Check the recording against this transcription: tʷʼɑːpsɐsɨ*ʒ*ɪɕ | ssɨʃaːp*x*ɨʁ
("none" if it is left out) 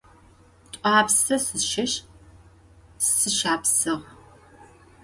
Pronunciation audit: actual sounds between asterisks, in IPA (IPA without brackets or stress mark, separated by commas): ʃ, s